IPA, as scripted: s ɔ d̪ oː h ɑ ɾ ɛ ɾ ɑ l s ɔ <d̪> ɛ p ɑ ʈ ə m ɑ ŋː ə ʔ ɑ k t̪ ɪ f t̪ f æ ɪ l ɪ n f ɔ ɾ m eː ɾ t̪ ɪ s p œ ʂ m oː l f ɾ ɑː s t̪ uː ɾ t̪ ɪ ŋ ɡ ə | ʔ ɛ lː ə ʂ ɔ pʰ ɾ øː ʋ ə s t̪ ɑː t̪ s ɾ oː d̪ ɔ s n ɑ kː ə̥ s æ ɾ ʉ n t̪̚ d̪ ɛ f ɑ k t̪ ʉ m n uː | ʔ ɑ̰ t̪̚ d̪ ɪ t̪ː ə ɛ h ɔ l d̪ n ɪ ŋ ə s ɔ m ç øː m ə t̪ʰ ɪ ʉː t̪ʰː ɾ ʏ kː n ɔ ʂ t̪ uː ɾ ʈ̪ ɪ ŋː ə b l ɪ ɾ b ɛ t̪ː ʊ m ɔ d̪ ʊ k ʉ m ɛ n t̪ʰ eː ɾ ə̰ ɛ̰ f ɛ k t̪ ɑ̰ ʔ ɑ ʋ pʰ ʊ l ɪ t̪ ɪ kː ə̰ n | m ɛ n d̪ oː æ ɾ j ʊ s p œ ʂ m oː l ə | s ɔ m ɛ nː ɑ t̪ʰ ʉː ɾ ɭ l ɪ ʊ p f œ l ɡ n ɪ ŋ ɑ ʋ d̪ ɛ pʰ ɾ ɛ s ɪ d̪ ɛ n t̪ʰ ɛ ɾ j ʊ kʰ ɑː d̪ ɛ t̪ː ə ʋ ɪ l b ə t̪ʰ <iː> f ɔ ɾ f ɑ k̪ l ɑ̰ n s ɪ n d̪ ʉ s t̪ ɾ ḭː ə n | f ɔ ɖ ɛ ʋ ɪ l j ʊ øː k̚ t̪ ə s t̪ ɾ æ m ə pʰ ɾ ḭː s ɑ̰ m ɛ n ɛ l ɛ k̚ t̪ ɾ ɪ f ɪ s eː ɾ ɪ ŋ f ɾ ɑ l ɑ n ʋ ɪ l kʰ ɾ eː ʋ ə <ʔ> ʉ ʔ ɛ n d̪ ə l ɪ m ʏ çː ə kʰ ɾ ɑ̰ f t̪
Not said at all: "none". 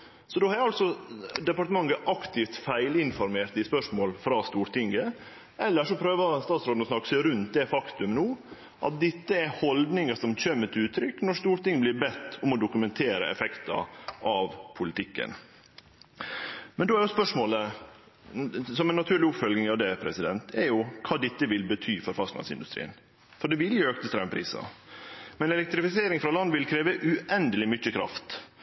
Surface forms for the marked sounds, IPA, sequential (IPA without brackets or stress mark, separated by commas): d̪, yː, ʔ